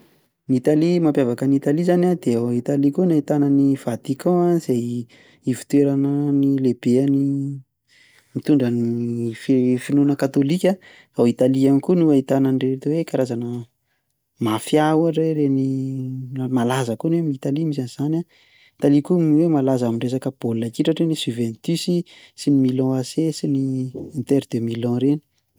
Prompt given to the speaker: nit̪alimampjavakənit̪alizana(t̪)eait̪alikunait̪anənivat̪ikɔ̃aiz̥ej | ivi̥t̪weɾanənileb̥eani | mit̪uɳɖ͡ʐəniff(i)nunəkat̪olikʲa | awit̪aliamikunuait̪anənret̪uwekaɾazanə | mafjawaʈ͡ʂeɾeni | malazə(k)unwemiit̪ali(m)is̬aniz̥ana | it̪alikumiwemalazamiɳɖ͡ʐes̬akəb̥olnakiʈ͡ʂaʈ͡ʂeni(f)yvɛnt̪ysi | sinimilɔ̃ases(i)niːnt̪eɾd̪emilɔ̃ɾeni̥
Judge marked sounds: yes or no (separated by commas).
no, yes, yes, yes, no, yes